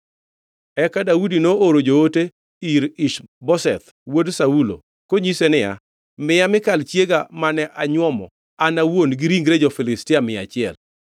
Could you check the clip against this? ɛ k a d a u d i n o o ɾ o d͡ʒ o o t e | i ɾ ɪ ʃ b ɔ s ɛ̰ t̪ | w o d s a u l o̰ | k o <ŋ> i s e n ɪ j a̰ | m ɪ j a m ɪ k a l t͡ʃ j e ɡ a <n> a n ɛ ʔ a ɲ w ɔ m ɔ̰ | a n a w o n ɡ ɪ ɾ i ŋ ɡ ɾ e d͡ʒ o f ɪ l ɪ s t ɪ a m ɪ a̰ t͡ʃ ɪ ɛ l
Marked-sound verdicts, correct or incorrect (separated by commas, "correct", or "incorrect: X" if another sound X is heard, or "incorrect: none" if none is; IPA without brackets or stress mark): incorrect: ɲ, incorrect: m